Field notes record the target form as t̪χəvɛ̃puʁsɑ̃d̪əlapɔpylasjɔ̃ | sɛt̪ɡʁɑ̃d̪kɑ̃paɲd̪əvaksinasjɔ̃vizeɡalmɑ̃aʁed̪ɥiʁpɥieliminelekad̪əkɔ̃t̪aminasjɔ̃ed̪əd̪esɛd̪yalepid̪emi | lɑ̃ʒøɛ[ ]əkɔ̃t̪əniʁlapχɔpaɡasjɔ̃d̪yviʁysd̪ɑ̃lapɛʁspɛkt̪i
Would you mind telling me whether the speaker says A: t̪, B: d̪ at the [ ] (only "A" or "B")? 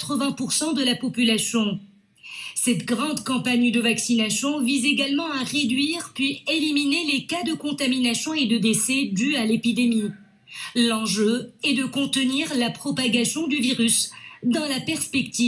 B